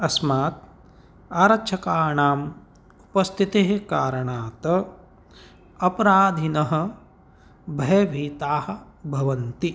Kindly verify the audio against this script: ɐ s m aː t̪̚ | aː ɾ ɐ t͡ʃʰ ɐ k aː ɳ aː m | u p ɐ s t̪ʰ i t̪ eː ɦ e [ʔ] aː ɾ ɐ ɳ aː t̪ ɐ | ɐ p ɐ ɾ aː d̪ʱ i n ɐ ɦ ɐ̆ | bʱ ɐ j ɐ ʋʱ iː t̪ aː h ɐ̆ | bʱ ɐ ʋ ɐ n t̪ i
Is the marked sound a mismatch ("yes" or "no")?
yes